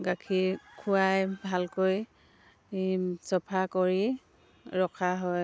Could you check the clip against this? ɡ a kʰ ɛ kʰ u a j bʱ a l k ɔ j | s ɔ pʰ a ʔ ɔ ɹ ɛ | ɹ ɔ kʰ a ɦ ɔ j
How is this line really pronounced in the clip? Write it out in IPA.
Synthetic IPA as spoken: ɡ a kʰ i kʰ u a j bʱ a l k o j | s ɔ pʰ a k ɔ ɹ i | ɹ ɔ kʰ a ɦ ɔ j